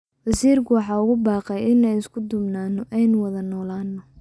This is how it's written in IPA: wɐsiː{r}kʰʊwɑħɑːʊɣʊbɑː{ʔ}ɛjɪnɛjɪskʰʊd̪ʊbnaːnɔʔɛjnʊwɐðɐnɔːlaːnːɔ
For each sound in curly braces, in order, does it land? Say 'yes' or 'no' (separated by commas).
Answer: yes, no